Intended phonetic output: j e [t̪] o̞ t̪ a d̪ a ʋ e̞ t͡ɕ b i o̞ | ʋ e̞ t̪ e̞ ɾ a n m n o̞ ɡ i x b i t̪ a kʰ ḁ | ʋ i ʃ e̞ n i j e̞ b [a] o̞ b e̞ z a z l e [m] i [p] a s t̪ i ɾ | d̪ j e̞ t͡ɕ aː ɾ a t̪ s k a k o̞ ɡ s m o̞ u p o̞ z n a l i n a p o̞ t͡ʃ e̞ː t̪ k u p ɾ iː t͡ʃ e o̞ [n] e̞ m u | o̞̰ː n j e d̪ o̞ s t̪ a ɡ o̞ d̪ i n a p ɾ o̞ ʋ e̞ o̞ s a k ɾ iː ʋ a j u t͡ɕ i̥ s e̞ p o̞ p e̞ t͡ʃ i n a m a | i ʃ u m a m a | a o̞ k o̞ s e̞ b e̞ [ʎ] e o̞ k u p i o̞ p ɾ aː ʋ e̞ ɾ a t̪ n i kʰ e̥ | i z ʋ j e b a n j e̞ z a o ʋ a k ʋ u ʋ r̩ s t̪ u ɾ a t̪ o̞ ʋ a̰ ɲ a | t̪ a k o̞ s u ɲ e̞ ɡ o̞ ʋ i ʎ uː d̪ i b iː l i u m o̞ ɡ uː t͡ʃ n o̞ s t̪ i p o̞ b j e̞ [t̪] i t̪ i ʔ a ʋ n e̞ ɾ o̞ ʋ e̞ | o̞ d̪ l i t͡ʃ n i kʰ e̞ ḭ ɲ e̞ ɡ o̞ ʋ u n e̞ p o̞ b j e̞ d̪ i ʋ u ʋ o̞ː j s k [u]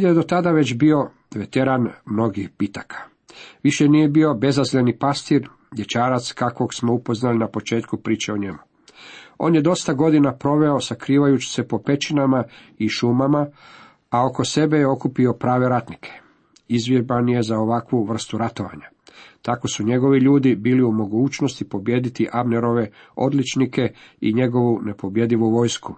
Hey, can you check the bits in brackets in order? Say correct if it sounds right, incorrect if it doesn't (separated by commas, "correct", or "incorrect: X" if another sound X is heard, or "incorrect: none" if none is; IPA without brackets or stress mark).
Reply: incorrect: d̪, incorrect: i, incorrect: n, correct, incorrect: ɲ, incorrect: j, incorrect: d̪, correct